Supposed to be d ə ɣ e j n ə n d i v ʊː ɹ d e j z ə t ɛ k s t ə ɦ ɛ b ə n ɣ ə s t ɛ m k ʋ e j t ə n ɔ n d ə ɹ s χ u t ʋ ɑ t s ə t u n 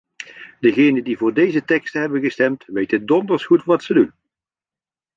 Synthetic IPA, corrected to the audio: d ə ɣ e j n ə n d i v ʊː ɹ d e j z ə t ɛ k s t ə ɦ ɛ b ə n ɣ ə s t ɛ m t ʋ e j t ə d ɔ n d ə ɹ s χ u t ʋ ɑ t s ə d u n